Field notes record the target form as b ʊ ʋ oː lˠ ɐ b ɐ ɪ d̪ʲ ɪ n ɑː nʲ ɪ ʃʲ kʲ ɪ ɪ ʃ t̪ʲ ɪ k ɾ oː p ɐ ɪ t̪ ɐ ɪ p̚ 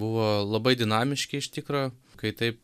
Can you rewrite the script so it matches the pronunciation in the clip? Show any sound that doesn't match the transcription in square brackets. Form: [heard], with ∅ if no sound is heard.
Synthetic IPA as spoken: b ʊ ʋ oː lˠ ɐ b ɐ ɪ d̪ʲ ɪ n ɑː [mʲ] ɪ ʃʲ kʲ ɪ ɪ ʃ t̪ʲ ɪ k ɾ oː [k] ɐ ɪ t̪ ɐ ɪ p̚